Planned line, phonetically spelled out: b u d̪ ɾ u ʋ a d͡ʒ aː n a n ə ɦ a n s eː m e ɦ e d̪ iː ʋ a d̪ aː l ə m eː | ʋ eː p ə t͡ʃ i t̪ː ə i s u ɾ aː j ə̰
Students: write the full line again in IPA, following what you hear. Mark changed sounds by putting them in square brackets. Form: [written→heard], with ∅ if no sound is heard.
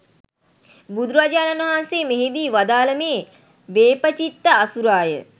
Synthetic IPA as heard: b u d̪ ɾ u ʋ a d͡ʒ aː n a n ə ɦ a n s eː m e ɦ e d̪ iː ʋ a d̪ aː l ə m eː | ʋ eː p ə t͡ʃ i t̪ː ə [i→a] s u ɾ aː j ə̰